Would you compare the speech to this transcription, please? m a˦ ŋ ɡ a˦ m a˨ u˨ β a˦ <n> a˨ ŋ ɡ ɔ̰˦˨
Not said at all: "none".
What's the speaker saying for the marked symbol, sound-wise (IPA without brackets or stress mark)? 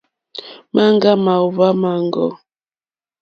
m